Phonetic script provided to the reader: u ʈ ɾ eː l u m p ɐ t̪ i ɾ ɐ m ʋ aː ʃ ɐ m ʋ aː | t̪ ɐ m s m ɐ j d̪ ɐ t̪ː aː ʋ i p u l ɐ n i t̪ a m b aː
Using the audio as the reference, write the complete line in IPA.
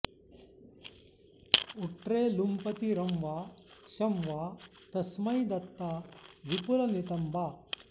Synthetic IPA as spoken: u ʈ ɾ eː l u m p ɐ t̪ i ɾ ɐ m ʋ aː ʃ ɐ m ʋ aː | t̪ ɐ s m ɐ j d̪ ɐ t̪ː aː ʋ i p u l ɐ n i t̪ ɐ m b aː